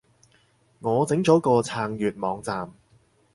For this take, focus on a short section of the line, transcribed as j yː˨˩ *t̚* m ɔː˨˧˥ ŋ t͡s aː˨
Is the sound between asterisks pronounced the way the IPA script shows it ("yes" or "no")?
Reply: yes